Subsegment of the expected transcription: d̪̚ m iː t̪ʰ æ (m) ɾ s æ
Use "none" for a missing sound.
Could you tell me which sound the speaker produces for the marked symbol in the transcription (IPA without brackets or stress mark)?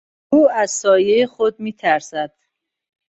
none